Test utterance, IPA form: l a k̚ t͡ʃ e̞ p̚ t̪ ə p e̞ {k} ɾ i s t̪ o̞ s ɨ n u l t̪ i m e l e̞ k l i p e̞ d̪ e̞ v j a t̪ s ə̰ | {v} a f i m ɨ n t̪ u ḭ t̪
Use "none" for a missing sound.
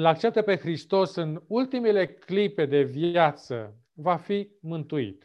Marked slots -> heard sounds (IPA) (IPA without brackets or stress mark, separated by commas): x, v